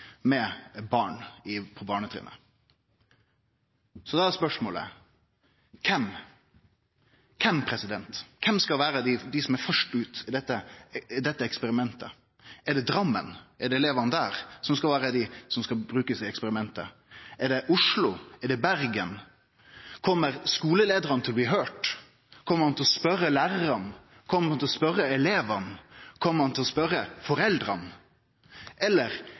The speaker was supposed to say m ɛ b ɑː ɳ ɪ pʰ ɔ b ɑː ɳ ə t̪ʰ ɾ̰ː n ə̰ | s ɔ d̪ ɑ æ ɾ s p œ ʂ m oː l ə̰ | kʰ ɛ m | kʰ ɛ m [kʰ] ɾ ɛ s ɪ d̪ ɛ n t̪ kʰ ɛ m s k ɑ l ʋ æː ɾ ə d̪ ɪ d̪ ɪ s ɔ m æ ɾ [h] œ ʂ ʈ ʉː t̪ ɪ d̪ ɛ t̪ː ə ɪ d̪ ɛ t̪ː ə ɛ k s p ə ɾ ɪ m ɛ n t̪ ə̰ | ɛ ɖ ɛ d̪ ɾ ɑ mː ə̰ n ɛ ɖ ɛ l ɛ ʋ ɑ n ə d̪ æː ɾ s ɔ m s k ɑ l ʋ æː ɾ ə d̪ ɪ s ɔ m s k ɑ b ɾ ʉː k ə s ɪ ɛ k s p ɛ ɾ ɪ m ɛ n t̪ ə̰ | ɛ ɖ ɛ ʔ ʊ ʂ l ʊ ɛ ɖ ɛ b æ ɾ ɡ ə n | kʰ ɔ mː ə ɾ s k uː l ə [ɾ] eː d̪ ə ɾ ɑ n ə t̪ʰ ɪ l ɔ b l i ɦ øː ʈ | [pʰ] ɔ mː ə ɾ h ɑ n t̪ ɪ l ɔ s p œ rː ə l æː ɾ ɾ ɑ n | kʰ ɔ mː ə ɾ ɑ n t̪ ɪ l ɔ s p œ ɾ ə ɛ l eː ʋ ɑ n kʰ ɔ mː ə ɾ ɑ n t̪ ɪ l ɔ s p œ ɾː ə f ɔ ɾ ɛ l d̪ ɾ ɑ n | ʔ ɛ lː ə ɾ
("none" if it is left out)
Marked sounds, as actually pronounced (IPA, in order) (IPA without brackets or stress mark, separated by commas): pʰ, f, l, kʰ